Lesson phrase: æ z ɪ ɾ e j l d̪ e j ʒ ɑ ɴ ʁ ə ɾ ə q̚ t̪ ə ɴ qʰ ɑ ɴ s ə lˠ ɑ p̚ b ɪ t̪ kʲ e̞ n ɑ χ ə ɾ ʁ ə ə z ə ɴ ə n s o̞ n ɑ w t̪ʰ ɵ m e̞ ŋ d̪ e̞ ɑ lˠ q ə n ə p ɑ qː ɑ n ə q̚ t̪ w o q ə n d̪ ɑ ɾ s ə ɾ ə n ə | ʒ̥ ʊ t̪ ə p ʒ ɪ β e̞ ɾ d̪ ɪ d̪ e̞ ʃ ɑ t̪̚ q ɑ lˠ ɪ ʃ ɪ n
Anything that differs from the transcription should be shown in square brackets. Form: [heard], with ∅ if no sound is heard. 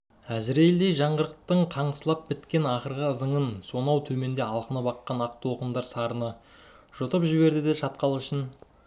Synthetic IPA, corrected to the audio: æ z ɪ ɾ e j l d̪ e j ʒ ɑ ɴ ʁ ə ɾ ə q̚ t̪ ə ɴ qʰ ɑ ɴ s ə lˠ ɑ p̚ b ɪ t̪ kʲ e̞ n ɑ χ ə ɾ ʁ ə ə z ə ɴ ə n s o̞ n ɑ w t̪ʰ ɵ m e̞ [n] d̪ e̞ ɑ lˠ q ə n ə p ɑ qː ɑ n [ɑ] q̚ t̪ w o q ə n d̪ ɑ ɾ s [ɑ] ɾ ə n ə | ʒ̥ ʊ t̪ ə p ʒ ɪ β e̞ ɾ d̪ ɪ d̪ e̞ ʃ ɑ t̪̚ q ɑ lˠ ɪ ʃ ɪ n